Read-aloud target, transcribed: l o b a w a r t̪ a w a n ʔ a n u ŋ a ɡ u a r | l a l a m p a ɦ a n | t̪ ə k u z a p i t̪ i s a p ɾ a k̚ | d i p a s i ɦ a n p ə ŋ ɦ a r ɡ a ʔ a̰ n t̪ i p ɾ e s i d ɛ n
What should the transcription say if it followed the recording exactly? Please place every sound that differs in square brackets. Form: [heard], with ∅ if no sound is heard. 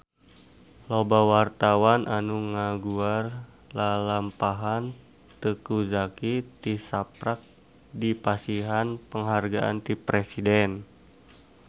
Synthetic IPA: l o b a w a r t̪ a w a n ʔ a n u ŋ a ɡ u a r | l a l a m p a ɦ a n | t̪ ə k u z a [k] i t̪ i s a p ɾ a k̚ | d i p a s i ɦ a n p ə ŋ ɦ a r ɡ a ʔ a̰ n t̪ i p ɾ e s i d ɛ n